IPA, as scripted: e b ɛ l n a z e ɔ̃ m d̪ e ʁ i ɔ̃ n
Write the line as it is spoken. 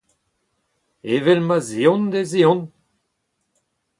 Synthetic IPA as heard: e v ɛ l m a z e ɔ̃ n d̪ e z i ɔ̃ n